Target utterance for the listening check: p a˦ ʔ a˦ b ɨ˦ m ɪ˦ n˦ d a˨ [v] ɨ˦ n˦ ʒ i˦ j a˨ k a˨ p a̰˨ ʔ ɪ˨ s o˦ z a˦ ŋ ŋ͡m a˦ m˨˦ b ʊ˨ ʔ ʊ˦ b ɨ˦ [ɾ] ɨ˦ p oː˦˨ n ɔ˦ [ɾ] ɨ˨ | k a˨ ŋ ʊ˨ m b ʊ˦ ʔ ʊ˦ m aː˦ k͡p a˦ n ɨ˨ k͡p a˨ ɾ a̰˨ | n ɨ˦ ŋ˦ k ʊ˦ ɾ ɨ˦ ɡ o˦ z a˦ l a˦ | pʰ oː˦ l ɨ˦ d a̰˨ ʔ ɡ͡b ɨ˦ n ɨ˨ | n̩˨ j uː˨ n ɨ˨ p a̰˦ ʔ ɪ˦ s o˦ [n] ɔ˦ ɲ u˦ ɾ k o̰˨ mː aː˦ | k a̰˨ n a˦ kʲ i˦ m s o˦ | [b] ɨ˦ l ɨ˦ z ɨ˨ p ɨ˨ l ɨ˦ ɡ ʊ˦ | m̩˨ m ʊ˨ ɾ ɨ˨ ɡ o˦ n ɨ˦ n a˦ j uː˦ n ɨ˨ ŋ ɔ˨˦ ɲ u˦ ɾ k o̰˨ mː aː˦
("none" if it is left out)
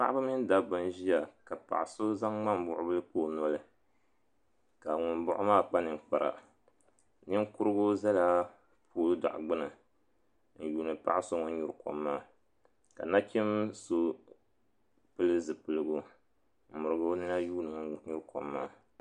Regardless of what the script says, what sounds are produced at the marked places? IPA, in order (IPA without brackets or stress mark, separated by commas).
b, l, l, ŋ, p